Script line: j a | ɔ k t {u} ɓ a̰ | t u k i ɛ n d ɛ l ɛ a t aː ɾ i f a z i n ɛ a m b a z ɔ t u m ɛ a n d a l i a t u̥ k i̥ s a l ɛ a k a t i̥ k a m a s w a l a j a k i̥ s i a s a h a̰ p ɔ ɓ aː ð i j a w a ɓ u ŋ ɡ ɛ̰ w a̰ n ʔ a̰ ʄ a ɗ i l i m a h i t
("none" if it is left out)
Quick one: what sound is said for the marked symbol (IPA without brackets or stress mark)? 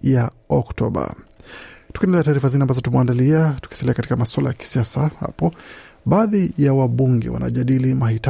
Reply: ɔ